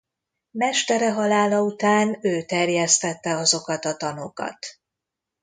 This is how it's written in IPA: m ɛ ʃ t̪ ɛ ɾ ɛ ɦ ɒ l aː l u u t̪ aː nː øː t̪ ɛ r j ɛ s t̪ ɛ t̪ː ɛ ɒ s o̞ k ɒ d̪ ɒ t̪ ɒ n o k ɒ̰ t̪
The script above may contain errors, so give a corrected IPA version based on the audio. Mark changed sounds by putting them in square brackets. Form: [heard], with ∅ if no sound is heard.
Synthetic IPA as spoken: m ɛ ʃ t̪ ɛ ɾ ɛ ɦ ɒ l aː l [ɒ] u t̪ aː [n] øː t̪ ɛ r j ɛ s t̪ ɛ t̪ː ɛ ɒ [z] o̞ k ɒ [t̪] ɒ t̪ ɒ n o k ɒ̰ t̪